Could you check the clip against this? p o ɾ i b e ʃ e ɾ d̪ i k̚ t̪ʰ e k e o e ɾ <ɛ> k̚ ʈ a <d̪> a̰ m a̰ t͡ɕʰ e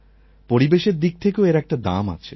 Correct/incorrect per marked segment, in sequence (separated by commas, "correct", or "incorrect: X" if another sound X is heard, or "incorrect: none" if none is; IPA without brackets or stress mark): correct, correct